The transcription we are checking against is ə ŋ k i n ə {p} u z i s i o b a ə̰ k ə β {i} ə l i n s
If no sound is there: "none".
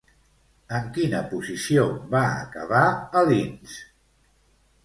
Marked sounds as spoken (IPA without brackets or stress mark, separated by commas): p, a